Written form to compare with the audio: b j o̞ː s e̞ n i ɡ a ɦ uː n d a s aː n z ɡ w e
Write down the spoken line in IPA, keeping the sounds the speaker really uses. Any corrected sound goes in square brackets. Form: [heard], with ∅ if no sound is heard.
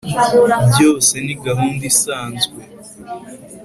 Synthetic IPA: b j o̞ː s e̞ n i ɡ a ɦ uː n d [i] s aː n z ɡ w e